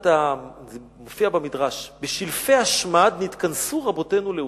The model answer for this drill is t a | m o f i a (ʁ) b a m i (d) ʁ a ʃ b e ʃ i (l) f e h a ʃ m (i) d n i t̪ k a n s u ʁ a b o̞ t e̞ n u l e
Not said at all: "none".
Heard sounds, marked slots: none, d, l, a

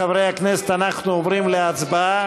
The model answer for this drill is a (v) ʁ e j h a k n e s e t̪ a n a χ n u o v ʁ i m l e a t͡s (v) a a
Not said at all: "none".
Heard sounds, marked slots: v, b

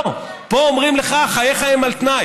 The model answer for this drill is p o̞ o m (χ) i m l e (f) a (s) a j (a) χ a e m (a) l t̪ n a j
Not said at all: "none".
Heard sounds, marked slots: ʁ, χ, χ, e, a

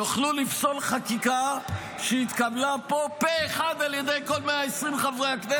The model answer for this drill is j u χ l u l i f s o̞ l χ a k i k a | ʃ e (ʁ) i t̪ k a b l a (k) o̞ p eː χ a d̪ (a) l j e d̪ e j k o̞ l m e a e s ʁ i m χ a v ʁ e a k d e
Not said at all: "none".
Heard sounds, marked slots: none, p, a

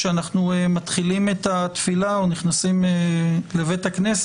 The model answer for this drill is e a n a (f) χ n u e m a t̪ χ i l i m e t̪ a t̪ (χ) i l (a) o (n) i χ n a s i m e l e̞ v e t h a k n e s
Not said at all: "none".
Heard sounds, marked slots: none, f, a, n

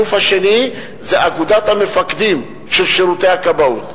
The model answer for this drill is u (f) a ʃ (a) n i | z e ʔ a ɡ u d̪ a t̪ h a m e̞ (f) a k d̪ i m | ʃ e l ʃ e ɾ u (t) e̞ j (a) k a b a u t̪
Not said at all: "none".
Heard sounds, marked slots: f, e, f, t, a

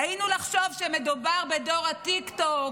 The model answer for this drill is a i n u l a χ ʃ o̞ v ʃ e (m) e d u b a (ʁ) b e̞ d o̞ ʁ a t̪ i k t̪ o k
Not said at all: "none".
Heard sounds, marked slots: m, ʁ

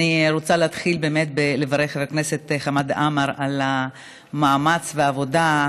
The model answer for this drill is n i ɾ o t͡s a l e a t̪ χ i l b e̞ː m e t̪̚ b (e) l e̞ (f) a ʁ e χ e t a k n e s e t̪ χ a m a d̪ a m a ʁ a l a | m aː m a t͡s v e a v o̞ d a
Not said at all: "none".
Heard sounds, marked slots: e, v

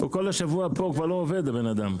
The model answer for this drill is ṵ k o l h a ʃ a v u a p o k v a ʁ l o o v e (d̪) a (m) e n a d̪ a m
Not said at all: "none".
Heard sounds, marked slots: d̪, b

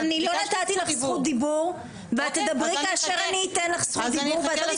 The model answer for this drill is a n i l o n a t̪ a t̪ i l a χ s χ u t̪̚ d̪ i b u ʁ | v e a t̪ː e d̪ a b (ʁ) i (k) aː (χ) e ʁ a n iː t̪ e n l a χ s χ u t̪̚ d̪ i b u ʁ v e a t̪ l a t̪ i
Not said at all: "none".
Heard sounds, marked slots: ʁ, k, ʃ

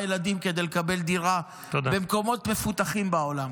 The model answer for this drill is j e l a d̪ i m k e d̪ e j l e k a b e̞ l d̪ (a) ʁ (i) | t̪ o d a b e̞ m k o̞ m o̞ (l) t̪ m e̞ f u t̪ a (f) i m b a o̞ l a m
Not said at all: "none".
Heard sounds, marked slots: i, a, none, χ

